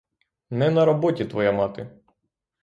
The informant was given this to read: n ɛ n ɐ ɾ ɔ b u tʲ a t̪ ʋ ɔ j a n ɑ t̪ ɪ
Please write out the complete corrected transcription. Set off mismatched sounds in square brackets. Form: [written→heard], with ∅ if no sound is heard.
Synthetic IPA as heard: n ɛ n ɐ ɾ ɔ b [u→ɔ] tʲ [a→i] t̪ ʋ ɔ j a [n→m] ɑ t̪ ɪ